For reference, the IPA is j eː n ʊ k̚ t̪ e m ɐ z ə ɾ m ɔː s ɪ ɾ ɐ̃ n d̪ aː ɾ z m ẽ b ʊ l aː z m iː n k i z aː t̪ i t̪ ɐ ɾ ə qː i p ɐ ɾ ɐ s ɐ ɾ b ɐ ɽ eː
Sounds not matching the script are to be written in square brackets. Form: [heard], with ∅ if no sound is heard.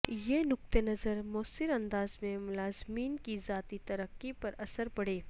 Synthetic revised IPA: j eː n ʊ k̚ t̪ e [n] ɐ z ə ɾ m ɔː s ɪ ɾ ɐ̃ n d̪ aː [∅] z m ẽ [m] ʊ l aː z m iː n k i z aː t̪ i t̪ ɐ ɾ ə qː i p ɐ ɾ ɐ s [ə] ɾ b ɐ ɽ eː